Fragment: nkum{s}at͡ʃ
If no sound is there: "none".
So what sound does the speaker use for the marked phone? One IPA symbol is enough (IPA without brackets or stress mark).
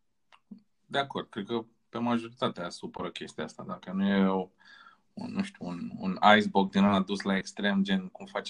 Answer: f